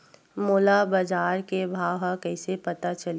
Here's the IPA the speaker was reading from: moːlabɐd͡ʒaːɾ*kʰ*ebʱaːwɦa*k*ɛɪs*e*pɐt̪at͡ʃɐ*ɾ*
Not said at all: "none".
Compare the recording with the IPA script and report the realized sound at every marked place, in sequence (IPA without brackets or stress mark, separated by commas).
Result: k, k, e, l